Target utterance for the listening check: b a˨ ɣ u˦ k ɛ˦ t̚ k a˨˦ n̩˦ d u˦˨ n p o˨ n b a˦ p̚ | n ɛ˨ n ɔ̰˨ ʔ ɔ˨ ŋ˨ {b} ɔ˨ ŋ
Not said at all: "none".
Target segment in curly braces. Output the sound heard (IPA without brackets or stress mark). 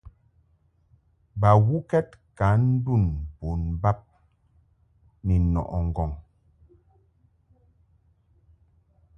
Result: ɡ